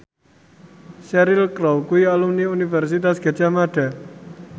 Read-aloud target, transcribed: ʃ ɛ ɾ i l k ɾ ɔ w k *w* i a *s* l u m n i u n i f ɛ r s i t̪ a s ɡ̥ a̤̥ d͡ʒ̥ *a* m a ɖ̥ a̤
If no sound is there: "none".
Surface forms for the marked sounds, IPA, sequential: u, none, a

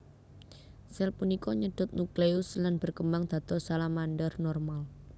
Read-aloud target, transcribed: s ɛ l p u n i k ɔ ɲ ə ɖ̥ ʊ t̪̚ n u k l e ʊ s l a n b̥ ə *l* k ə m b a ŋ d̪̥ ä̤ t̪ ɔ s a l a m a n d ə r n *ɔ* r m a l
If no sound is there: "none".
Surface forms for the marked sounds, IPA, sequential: r, ɔ

